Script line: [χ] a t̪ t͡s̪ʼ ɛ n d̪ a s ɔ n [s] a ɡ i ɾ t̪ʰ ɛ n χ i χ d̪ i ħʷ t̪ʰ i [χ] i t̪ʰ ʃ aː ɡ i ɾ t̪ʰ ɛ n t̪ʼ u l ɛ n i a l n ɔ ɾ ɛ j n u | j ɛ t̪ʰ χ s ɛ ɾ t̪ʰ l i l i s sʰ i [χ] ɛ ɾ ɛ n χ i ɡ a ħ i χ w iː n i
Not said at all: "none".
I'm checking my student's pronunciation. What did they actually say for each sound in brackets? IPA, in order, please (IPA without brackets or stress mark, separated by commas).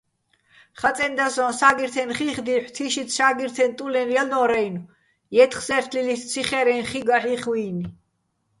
χ, s, ʃ, χ